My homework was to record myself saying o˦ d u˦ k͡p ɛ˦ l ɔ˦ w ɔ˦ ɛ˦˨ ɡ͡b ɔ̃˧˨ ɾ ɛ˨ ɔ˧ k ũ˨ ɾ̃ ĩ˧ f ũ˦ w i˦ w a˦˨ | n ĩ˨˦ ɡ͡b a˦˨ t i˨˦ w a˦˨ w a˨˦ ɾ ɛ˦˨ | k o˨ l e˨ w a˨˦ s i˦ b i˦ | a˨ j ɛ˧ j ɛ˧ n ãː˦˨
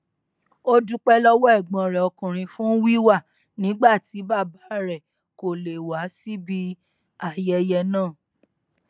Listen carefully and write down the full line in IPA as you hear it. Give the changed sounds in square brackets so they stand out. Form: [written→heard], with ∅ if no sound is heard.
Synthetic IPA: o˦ d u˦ k͡p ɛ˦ l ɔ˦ w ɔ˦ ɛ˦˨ ɡ͡b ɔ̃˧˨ ɾ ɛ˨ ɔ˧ k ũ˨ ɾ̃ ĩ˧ f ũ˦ w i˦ w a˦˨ | n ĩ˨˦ ɡ͡b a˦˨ t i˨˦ [w→b] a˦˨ [w→b] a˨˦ ɾ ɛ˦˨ | k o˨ l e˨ w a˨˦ s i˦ b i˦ | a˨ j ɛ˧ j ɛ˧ n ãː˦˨